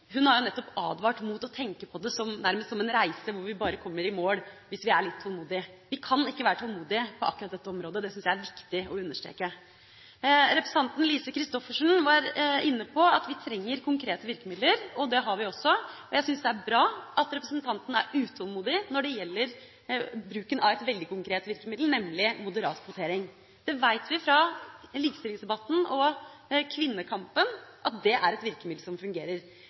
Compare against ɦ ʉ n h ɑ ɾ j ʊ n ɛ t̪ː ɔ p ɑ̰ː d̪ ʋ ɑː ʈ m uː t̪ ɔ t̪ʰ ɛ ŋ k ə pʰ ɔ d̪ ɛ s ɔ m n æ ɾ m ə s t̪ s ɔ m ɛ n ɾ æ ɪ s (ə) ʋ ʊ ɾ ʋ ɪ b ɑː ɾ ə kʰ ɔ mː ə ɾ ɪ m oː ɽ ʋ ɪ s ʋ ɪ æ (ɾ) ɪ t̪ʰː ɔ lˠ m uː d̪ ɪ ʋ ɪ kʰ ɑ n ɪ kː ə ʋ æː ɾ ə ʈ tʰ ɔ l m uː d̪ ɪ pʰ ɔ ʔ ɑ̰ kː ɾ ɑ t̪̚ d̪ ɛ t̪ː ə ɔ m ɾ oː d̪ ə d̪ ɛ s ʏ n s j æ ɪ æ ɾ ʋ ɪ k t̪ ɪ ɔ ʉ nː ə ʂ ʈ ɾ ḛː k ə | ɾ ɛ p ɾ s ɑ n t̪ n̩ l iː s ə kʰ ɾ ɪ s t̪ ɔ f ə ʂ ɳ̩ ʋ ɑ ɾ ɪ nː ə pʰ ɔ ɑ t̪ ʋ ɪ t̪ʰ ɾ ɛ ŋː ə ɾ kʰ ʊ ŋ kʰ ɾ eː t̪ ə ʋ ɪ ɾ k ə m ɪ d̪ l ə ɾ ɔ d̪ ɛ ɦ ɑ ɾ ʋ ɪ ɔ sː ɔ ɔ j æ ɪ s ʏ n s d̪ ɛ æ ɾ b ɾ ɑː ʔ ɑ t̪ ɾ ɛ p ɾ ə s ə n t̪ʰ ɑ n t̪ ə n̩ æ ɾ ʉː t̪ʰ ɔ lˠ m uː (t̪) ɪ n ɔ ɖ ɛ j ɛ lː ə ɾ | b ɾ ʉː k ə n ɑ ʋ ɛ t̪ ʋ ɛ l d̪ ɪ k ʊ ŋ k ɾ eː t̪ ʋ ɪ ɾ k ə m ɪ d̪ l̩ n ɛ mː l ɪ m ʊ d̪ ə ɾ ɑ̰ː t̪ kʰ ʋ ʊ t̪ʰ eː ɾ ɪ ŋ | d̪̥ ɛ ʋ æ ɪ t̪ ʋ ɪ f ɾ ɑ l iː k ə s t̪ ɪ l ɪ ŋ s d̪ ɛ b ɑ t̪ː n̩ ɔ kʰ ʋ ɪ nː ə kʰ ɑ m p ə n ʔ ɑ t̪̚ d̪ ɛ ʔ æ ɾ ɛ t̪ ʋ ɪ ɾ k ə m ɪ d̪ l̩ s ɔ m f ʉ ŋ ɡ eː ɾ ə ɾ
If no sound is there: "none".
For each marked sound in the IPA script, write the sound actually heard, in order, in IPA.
ə, ɭ, d̪

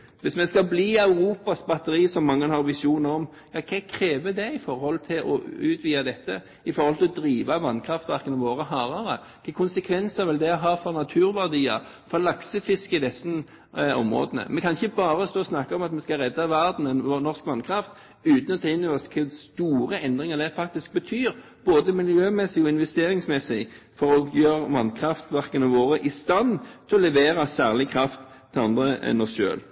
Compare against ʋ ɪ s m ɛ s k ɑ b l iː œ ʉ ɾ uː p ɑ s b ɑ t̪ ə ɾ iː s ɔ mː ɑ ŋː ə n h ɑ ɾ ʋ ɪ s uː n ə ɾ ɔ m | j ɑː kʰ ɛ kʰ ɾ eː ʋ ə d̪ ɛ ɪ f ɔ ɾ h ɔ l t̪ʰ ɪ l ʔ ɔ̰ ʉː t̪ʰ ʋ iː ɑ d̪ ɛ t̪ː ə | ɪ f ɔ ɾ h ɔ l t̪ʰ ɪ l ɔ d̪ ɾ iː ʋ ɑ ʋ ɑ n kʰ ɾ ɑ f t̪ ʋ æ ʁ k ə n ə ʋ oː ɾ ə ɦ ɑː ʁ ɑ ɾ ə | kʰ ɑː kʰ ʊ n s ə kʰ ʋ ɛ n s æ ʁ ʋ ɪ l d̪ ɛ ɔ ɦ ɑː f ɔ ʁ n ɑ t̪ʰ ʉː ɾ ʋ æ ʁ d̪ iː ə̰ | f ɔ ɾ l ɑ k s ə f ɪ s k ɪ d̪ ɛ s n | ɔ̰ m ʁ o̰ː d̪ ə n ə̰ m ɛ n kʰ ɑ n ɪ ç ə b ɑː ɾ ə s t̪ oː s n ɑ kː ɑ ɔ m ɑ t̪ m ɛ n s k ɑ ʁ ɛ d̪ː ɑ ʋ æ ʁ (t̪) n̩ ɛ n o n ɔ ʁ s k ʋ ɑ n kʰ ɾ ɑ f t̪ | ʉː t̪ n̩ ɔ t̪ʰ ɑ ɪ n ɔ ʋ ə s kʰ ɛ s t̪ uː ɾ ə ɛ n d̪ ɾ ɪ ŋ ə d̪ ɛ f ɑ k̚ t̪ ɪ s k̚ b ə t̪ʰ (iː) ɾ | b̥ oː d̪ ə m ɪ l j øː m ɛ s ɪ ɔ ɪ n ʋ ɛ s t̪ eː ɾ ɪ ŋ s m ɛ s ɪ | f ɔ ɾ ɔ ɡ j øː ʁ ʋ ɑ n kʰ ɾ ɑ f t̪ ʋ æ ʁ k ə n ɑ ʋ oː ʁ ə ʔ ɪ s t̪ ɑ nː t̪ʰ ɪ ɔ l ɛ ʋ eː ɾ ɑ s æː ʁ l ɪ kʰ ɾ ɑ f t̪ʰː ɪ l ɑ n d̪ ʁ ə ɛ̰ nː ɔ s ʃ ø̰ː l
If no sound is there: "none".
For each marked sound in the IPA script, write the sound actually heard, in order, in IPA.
d̪, yː

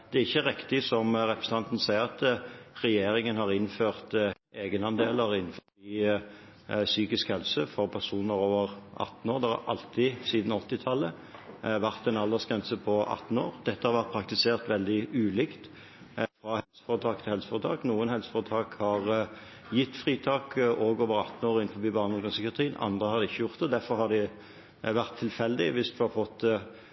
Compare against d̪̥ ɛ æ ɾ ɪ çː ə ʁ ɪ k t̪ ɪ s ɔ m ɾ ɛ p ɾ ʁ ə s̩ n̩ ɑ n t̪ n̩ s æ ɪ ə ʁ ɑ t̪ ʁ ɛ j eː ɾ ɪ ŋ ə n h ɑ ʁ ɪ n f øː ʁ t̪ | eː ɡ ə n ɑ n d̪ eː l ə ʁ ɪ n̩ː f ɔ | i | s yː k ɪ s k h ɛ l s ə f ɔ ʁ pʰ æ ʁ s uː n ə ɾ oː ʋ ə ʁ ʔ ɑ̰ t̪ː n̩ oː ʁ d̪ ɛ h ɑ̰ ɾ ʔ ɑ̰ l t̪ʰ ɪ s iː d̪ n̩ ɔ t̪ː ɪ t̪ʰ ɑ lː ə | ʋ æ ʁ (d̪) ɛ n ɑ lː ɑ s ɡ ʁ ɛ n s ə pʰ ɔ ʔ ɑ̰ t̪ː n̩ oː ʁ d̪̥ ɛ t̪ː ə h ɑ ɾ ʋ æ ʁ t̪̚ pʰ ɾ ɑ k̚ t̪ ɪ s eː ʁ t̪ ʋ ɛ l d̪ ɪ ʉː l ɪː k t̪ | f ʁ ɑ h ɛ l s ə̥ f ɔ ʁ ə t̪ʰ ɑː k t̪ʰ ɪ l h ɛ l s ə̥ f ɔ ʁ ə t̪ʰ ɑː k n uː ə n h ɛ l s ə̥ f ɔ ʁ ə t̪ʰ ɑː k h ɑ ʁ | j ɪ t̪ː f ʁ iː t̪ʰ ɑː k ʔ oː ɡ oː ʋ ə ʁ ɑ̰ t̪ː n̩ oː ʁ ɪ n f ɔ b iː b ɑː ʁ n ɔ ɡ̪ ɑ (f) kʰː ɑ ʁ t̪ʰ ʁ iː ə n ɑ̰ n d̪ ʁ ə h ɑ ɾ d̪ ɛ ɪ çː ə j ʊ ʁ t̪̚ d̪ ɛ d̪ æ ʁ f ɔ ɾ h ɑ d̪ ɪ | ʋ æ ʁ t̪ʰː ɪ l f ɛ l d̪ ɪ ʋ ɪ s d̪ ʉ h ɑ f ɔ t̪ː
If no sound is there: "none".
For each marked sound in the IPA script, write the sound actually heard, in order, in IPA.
t̪, s

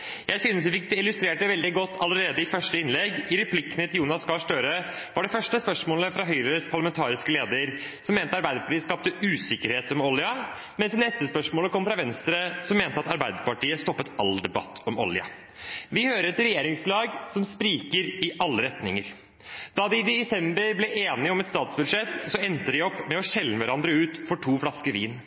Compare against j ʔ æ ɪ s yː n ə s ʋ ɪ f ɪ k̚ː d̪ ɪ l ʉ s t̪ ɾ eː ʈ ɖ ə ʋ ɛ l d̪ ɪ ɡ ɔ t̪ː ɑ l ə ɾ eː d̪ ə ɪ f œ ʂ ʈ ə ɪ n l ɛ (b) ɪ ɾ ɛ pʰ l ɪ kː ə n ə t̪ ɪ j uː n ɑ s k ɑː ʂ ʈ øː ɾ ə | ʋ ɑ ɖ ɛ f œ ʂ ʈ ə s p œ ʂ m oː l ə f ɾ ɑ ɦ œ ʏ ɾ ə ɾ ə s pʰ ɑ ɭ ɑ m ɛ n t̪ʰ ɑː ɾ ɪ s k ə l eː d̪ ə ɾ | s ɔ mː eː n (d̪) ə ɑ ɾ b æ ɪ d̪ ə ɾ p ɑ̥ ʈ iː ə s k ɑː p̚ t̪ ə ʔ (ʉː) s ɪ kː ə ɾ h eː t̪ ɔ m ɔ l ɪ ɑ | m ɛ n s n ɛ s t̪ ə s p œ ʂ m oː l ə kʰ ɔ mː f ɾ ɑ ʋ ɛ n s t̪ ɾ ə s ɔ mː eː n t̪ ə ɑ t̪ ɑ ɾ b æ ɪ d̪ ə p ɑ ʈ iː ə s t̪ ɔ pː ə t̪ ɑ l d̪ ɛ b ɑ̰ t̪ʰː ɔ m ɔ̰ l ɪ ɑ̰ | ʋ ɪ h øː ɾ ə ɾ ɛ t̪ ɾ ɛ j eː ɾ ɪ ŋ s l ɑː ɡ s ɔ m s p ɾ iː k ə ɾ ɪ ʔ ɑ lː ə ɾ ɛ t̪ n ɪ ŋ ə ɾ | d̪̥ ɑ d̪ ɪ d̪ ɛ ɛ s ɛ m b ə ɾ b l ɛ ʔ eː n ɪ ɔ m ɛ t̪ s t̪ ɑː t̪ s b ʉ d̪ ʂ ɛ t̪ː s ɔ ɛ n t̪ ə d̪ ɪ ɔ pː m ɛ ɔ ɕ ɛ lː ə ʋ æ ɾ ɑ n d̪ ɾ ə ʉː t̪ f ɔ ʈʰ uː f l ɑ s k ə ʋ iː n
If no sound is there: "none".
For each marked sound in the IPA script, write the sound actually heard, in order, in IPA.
ɡ, t̪, ʉː

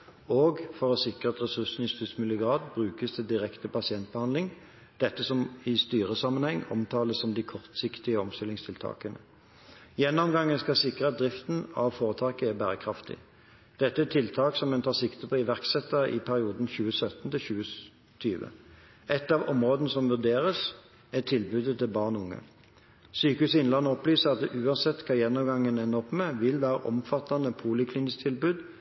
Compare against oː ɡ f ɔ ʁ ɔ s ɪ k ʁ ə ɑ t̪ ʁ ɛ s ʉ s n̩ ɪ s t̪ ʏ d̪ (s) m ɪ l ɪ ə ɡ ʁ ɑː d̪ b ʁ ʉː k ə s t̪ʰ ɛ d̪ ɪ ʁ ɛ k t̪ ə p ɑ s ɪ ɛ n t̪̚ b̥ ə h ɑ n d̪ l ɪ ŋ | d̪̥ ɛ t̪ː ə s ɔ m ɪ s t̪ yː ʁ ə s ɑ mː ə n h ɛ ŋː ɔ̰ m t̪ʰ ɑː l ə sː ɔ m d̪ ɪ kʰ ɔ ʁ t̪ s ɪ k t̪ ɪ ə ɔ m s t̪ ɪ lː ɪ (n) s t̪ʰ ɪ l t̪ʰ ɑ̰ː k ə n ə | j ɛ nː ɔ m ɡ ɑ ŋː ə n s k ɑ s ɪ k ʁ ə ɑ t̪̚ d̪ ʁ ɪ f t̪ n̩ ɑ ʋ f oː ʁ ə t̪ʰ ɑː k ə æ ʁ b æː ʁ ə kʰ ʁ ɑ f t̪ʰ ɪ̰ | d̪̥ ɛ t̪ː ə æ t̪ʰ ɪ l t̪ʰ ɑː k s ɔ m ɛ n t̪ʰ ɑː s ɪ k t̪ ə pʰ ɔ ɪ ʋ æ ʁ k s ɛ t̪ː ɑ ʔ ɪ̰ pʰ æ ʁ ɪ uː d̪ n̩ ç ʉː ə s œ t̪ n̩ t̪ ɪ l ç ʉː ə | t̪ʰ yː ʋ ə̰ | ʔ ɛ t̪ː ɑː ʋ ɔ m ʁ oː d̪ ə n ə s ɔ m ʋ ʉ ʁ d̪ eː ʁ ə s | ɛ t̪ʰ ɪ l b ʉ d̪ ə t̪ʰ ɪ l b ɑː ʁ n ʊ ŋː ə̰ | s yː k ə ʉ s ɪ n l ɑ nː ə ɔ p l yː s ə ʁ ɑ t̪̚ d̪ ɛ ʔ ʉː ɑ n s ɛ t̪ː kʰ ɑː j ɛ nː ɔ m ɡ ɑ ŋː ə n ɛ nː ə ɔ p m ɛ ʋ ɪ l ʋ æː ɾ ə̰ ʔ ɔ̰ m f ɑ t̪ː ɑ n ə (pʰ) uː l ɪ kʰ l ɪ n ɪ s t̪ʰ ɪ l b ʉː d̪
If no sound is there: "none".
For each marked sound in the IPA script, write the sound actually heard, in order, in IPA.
s, ŋ, pʰ

